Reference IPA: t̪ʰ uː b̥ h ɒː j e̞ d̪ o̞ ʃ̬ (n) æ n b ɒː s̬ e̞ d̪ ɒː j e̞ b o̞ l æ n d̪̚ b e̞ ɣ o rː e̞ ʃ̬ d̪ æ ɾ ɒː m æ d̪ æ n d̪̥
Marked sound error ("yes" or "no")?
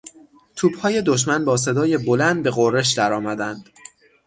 yes